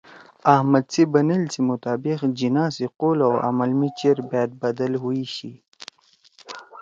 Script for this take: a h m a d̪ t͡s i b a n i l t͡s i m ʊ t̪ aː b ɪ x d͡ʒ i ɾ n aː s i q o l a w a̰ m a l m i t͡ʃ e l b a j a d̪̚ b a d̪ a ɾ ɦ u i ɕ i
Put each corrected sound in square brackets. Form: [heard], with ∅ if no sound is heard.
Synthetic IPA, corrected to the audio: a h m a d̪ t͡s i b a n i l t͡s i m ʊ t̪ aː b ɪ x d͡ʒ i [∅] n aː s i q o l a w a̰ m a l m i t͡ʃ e [ɾ] b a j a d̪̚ b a d̪ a [l] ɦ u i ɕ i